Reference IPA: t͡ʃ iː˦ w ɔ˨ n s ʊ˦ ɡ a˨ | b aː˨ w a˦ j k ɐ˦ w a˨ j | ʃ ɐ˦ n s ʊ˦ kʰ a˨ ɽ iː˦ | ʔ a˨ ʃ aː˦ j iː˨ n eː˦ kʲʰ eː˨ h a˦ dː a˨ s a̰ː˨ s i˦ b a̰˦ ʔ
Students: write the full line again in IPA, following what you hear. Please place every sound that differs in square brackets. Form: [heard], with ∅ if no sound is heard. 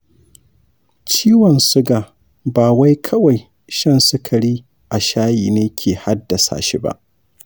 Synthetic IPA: t͡ʃ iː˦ w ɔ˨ n s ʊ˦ ɡ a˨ | b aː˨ w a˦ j [kʰ] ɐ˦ w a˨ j | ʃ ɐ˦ n s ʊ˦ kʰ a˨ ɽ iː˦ | ʔ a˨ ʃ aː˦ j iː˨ n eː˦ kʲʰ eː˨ h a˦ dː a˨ s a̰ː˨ [ʃ] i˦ b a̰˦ ʔ